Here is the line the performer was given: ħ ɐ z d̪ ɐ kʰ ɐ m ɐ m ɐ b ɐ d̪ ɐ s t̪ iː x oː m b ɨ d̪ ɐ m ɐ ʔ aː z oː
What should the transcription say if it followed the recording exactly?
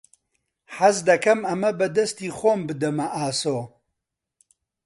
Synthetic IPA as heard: ħ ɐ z d̪ ɐ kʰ ɐ m ɐ m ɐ b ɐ d̪ ɐ s t̪ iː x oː m b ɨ d̪ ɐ m ɐ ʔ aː s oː